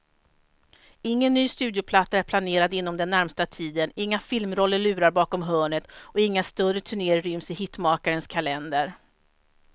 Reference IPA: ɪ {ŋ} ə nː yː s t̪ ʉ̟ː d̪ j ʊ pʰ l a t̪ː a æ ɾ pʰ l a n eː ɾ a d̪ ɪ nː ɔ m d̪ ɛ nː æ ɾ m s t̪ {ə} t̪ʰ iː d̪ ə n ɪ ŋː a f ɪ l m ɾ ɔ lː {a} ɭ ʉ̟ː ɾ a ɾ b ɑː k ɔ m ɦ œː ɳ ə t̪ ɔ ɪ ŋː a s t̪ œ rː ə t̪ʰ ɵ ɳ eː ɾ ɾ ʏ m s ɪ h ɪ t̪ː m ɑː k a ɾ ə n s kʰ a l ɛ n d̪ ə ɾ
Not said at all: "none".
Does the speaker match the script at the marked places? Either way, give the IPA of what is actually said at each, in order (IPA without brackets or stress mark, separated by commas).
ŋː, a, ə